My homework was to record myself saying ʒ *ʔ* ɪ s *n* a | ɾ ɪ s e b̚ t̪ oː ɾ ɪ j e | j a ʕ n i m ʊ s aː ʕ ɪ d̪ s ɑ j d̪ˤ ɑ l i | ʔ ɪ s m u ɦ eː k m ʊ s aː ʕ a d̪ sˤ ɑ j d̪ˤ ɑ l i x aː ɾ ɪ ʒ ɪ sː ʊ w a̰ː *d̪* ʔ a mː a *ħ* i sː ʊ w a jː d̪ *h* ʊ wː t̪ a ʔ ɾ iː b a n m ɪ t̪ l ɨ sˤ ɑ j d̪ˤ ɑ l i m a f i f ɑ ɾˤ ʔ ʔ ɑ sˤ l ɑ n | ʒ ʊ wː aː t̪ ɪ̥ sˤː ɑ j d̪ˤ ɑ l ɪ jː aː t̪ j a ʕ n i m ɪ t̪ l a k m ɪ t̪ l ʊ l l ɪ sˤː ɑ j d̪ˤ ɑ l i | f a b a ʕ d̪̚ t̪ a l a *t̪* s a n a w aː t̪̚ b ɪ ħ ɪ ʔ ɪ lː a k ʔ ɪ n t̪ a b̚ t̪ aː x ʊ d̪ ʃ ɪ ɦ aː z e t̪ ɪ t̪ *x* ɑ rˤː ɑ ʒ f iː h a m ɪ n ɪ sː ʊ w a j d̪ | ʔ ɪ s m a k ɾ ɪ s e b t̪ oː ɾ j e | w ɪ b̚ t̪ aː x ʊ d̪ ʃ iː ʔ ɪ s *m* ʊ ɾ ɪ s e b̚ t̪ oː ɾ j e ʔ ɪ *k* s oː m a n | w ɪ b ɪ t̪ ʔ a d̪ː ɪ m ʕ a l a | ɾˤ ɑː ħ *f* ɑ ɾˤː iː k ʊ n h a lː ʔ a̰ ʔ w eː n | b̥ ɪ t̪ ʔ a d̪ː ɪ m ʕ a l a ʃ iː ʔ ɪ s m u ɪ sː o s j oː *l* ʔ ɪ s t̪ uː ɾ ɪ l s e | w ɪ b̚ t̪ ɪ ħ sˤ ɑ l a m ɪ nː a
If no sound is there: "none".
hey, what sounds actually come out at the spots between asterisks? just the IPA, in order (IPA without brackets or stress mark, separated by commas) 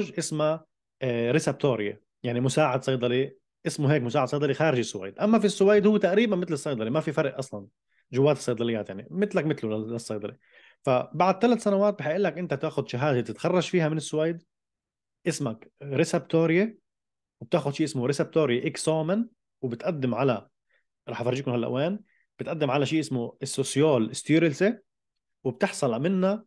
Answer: ʔ, m, d̪, f, h, t̪, x, m, k, f, l